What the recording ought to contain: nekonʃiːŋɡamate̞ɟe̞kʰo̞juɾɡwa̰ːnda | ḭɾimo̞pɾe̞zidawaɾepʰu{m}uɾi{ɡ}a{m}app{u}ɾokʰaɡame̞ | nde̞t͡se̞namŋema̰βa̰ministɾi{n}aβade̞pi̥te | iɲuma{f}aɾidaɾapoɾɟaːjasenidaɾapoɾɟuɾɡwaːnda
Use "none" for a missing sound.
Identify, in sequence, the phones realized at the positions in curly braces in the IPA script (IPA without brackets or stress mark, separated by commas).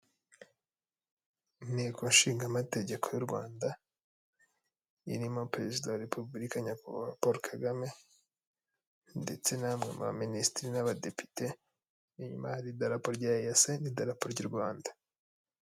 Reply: b, k, ɲ, o, n, h